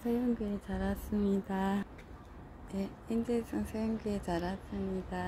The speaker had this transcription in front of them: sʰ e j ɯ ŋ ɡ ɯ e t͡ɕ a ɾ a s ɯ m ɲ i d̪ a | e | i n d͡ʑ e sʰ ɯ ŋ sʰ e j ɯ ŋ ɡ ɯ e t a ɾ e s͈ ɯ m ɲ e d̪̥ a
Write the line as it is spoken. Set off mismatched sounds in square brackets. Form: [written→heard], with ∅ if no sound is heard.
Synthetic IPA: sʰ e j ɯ ŋ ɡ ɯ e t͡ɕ a ɾ a s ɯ m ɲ i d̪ a | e | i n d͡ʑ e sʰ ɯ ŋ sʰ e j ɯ ŋ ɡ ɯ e [t→t͡ɕ] a ɾ [e→a] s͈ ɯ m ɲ [e→i] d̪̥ a